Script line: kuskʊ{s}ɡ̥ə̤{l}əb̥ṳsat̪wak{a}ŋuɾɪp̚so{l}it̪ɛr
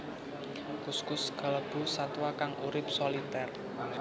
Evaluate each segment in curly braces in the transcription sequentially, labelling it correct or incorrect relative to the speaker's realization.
correct, correct, correct, correct

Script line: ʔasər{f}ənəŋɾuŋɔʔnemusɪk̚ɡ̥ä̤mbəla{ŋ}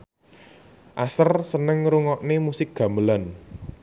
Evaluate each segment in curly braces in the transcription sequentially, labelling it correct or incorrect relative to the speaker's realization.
incorrect: s, incorrect: n

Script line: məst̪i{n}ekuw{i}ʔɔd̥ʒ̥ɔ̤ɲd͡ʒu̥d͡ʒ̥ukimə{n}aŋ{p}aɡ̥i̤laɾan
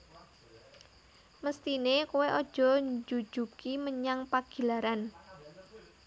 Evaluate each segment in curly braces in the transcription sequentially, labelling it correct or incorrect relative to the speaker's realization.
correct, incorrect: e, incorrect: ɲ, correct

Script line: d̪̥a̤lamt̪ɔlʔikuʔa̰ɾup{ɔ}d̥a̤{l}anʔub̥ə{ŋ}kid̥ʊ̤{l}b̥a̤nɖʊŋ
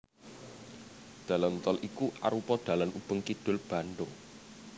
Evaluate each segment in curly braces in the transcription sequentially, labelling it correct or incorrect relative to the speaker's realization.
correct, correct, correct, correct

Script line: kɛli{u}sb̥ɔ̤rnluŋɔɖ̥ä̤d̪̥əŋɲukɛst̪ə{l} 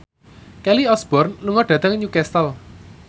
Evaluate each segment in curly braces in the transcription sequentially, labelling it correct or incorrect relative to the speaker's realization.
incorrect: ɔ, correct

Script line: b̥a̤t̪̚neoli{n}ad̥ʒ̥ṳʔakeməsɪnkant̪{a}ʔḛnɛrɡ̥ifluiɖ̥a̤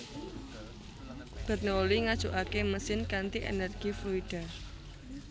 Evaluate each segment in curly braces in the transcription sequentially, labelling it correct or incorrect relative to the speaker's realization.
incorrect: ŋ, incorrect: i

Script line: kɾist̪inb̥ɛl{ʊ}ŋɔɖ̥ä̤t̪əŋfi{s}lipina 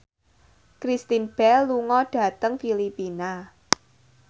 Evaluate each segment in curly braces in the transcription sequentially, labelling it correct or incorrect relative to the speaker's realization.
incorrect: u, incorrect: none

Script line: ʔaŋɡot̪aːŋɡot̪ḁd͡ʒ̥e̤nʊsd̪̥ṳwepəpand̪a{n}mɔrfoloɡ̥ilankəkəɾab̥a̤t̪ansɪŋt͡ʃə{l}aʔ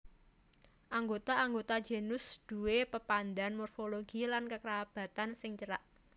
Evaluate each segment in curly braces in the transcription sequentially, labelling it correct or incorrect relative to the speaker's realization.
correct, incorrect: ɾ

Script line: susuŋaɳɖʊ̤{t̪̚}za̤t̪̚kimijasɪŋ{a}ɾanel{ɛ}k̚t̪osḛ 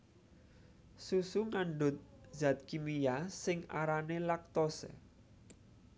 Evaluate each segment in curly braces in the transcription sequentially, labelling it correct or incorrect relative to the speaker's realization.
correct, correct, incorrect: a

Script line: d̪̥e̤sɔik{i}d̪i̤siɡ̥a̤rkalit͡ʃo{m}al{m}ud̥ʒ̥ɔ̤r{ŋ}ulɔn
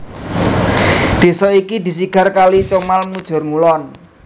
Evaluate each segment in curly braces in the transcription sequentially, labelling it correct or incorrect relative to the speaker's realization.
correct, correct, correct, correct

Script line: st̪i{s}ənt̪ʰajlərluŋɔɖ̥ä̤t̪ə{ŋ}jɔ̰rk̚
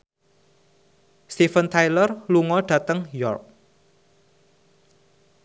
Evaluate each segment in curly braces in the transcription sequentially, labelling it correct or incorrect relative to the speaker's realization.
incorrect: f, correct

